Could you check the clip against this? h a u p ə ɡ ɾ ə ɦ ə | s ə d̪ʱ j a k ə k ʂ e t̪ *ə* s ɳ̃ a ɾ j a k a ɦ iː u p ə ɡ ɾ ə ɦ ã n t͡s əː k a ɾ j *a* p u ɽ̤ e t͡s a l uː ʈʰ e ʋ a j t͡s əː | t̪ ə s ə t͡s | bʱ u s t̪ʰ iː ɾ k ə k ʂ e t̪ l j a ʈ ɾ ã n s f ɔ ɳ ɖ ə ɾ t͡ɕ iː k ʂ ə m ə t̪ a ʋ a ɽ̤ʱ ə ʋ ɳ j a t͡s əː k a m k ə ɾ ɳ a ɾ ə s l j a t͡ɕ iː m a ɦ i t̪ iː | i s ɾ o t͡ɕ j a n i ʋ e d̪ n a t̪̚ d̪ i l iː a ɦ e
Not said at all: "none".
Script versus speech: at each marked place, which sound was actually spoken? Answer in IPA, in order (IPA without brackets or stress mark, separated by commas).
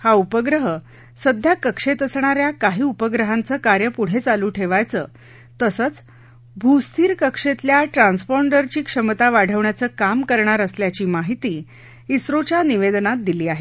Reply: ə, ə